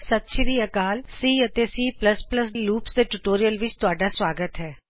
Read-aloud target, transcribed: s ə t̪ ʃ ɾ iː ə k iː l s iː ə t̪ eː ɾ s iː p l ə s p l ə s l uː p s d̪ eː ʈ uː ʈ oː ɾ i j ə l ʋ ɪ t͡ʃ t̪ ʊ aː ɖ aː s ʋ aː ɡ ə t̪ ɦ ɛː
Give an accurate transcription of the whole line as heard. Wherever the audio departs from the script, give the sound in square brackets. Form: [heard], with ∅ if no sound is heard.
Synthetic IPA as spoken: s ə t̪ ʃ ɾ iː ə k [aː] l s iː ə t̪ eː [∅] s iː p l ə s p l ə s l uː p s d̪ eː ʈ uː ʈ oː ɾ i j ə l ʋ ɪ t͡ʃ t̪ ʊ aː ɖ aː s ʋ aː ɡ ə t̪ ɦ ɛː

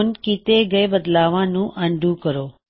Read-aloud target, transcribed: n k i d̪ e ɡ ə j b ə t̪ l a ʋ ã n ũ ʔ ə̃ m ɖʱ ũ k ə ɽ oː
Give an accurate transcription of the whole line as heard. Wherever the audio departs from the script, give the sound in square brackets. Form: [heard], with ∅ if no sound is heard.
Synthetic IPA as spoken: n k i [t̪] e ɡ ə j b ə [d̪] l a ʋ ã n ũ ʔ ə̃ [ɳ] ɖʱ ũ k ə [ɾ] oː

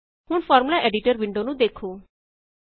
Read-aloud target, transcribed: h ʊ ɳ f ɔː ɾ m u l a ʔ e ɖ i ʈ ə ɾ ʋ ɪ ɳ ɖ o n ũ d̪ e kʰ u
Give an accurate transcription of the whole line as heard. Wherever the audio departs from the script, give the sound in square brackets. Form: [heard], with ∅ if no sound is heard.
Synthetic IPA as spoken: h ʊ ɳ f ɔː ɾ m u l a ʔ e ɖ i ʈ ə ɾ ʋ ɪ ɳ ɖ o n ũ d̪ e kʰ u

